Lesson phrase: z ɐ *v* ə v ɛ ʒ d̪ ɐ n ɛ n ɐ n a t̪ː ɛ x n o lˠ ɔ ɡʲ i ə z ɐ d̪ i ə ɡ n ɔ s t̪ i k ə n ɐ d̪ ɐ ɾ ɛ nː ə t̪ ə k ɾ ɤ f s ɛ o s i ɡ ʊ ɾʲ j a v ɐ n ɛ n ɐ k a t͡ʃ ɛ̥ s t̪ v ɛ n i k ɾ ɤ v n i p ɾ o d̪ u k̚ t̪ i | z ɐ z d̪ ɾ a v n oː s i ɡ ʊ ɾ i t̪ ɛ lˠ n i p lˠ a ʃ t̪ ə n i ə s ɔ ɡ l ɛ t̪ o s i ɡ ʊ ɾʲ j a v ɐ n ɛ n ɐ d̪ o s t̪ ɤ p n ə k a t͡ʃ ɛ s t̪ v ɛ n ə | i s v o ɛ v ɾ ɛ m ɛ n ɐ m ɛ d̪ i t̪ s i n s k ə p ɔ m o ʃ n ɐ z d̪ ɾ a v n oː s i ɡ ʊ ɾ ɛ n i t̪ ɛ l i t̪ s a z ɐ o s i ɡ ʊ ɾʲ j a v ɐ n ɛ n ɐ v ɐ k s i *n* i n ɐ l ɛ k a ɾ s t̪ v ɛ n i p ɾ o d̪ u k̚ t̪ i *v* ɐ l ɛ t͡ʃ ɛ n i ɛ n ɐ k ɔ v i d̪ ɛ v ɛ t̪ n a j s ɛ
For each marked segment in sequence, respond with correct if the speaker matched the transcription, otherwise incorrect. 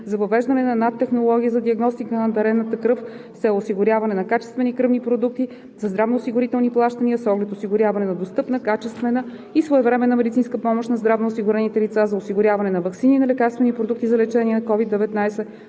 correct, correct, incorrect: z

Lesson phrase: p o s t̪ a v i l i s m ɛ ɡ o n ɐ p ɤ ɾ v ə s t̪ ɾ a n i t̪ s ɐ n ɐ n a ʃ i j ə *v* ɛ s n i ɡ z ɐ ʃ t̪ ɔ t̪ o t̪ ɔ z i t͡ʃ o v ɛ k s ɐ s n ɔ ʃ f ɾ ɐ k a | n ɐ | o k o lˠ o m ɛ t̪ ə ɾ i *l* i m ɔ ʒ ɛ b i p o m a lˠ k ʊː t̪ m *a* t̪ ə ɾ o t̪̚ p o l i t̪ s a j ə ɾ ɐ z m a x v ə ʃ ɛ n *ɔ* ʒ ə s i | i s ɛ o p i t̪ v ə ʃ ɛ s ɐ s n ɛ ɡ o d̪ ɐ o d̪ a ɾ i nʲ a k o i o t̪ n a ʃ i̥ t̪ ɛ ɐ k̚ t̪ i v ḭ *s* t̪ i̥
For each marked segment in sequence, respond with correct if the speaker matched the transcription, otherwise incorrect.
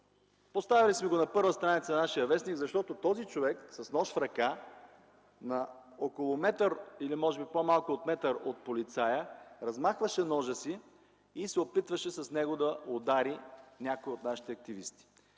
correct, correct, incorrect: ɛ, correct, correct

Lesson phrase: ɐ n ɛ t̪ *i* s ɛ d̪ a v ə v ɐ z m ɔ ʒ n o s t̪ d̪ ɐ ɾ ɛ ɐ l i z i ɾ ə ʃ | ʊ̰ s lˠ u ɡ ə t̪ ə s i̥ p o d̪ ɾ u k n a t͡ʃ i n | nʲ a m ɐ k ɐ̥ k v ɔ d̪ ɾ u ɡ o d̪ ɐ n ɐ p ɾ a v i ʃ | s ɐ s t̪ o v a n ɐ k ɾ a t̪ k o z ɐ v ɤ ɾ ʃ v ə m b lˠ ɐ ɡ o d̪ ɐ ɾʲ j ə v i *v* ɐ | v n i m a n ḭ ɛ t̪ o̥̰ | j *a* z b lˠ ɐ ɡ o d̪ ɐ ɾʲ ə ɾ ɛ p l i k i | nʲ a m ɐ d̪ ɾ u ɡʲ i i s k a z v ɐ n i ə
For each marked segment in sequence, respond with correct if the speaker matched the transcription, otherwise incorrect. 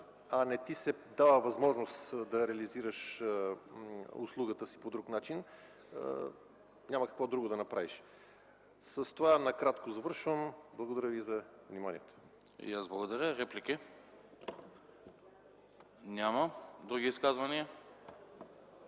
correct, incorrect: z, correct

